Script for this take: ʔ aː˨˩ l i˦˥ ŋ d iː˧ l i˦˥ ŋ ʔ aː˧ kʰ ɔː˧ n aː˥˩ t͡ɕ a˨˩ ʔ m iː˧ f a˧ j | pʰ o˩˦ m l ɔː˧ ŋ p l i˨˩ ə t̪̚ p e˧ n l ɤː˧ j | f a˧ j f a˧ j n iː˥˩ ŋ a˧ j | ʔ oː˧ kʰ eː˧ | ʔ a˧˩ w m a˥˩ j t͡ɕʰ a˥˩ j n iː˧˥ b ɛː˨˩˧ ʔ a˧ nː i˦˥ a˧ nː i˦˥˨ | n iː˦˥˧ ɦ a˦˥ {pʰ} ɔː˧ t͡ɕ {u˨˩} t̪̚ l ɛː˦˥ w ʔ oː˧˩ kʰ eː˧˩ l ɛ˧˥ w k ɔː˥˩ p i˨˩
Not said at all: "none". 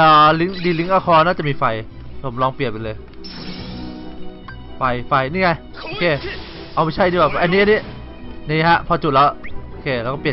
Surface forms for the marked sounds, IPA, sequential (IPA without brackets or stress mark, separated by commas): pʰ, u˨˩